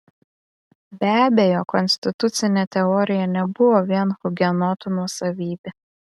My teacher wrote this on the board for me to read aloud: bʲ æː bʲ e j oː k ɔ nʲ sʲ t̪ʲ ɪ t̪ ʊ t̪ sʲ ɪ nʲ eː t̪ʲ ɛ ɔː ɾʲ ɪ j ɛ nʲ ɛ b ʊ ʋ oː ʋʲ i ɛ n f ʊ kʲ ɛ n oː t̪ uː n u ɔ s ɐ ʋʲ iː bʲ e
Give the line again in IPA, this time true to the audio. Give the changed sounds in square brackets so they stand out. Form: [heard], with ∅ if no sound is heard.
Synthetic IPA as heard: bʲ æː bʲ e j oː k ɔ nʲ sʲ t̪ʲ ɪ t̪ ʊ t̪ sʲ ɪ nʲ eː t̪ʲ ɛ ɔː ɾʲ ɪ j ɛ nʲ ɛ b ʊ ʋ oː ʋʲ i ɛ n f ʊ [ɡʲ] ɛ n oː t̪ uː n u ɔ s ɐ ʋʲ iː bʲ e